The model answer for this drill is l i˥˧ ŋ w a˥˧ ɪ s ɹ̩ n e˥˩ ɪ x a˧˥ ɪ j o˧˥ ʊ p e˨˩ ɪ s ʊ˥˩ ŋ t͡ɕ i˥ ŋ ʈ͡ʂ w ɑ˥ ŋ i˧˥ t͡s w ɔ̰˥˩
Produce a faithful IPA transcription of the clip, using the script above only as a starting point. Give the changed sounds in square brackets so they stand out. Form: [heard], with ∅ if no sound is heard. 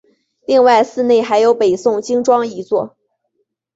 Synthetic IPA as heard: l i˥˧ ŋ w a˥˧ ɪ s ɹ̩ n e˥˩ ɪ x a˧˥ ɪ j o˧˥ ʊ p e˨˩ ɪ s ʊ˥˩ ŋ t͡ɕ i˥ ŋ ʈ͡ʂ w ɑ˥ ŋ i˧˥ t͡s w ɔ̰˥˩

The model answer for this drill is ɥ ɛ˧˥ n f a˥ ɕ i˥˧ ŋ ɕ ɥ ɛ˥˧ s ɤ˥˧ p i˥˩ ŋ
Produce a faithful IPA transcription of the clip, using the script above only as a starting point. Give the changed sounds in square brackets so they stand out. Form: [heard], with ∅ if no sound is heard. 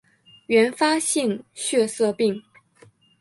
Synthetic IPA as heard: ɥ ɛ˧˥ n f a˥ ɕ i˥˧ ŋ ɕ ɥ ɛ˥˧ s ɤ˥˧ p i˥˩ ŋ

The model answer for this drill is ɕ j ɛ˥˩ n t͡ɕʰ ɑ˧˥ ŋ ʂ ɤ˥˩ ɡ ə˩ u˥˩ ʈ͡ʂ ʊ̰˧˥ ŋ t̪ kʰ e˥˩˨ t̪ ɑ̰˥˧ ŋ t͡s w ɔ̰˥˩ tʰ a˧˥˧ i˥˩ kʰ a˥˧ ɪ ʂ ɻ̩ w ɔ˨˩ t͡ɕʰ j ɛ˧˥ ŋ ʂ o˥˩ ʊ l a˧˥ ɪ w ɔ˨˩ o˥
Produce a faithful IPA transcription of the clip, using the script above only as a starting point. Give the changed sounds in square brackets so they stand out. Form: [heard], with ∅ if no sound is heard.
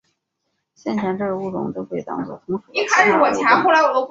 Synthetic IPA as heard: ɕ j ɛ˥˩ n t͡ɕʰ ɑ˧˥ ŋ [ʈ͡ʂ] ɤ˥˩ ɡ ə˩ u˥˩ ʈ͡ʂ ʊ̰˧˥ ŋ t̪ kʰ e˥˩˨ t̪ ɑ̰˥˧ ŋ t͡s w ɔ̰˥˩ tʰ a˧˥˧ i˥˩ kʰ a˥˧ ɪ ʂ ɻ̩ w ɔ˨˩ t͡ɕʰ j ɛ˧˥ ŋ [x] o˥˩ ʊ l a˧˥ ɪ w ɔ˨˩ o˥

